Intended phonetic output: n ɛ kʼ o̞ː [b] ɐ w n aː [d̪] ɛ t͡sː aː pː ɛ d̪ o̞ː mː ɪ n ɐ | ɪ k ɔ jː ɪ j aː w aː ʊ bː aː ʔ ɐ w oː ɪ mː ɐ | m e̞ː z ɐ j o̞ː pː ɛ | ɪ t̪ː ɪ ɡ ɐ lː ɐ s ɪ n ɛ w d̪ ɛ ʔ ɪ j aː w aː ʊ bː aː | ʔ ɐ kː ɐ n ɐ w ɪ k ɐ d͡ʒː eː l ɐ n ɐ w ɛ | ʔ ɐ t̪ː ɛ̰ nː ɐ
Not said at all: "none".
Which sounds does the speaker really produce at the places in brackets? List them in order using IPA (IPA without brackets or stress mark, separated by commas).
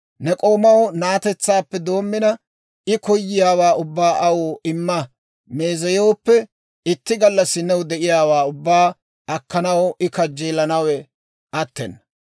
m, t̪